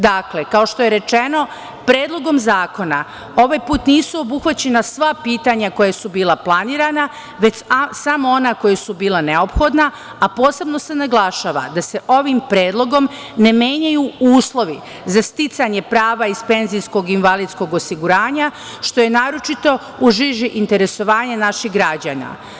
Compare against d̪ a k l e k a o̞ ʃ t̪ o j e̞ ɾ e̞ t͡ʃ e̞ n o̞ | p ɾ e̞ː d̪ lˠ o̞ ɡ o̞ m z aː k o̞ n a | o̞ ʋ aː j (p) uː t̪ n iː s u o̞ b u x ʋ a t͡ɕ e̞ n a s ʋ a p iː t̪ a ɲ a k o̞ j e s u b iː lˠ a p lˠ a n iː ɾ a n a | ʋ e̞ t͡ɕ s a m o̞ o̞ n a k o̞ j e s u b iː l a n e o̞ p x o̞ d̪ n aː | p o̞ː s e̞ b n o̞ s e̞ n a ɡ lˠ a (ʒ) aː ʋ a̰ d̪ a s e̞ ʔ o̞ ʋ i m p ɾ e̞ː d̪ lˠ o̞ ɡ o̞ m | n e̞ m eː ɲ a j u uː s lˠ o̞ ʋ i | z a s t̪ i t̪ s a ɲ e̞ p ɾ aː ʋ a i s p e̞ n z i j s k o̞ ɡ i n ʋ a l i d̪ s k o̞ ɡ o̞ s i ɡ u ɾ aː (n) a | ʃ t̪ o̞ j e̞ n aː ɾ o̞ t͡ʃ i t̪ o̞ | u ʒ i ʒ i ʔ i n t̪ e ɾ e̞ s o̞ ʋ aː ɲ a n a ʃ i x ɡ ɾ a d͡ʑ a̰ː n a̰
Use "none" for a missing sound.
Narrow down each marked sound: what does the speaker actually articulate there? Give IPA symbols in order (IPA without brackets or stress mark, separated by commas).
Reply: p, ʃ, ɲ